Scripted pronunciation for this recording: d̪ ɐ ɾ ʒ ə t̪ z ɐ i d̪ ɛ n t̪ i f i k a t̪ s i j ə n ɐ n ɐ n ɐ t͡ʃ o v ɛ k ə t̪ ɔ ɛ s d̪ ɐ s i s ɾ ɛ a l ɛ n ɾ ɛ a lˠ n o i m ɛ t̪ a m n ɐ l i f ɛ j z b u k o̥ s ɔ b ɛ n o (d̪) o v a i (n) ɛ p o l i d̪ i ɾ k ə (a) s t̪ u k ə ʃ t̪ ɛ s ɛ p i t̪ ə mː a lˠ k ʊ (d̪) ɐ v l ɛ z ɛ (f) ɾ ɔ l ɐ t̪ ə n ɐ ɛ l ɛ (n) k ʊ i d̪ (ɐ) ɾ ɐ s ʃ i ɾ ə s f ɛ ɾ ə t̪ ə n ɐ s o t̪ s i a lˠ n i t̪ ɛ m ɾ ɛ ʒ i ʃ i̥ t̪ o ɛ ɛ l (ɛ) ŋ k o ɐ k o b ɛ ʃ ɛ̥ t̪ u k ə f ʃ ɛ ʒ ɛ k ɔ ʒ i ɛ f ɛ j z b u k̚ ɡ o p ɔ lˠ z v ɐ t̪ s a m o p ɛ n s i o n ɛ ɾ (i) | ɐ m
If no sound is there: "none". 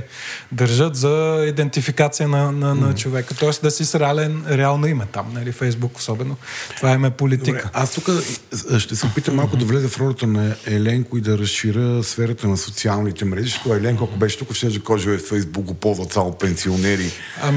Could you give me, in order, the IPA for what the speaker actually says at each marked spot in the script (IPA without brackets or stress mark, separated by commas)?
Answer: t̪, m, a, d̪, f, ŋ, ɐ, ɛ, i